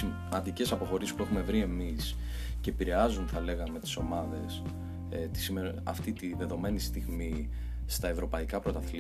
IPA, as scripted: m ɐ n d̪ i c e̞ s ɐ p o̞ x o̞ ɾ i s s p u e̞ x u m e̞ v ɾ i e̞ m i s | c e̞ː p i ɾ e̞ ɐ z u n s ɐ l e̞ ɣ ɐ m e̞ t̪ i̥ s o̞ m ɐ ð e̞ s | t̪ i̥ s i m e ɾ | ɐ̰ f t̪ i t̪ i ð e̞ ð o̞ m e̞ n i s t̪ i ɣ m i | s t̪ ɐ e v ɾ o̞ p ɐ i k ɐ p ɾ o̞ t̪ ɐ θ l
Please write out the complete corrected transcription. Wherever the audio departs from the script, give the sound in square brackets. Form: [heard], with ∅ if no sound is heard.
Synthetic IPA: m ɐ n d̪ i c e̞ s ɐ p o̞ x o̞ ɾ i s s p u e̞ x u m e̞ v ɾ i e̞ m i s | c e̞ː p i ɾ e̞ ɐ z u n [θ] ɐ l e̞ ɣ ɐ m e̞ t̪ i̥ s o̞ m ɐ ð e̞ s | t̪ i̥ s i m e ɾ | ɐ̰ f t̪ i t̪ i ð e̞ ð o̞ m e̞ n i s t̪ i ɣ m i | s t̪ ɐ e v ɾ o̞ p ɐ i k ɐ p ɾ o̞ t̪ ɐ θ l